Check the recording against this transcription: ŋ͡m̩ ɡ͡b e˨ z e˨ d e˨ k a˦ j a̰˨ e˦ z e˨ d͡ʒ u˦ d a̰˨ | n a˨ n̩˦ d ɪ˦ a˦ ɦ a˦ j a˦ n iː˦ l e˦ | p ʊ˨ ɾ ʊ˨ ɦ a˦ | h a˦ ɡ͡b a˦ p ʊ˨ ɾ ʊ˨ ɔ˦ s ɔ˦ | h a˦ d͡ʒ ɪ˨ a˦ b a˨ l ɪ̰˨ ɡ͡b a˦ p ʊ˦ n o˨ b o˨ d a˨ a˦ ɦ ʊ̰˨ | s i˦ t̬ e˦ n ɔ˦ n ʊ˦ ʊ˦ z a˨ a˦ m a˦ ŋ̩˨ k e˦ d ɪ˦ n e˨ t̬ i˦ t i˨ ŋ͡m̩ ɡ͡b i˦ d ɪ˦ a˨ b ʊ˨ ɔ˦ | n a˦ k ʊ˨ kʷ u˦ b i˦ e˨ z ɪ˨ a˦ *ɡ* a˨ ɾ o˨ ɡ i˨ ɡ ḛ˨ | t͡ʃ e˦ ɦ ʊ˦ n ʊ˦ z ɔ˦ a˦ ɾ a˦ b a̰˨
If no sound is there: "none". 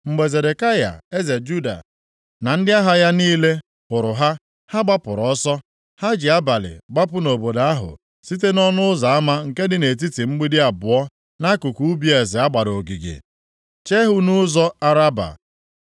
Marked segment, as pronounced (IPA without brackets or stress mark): ɡ͡b